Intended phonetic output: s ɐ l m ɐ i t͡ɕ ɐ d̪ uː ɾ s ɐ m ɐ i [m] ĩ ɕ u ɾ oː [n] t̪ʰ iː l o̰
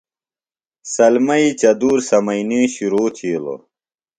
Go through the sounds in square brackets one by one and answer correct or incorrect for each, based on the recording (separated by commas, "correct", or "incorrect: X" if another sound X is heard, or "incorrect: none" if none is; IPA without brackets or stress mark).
incorrect: n, incorrect: none